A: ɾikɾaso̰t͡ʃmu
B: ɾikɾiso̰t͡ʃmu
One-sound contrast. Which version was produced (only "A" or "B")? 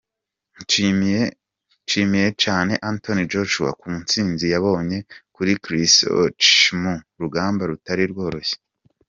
B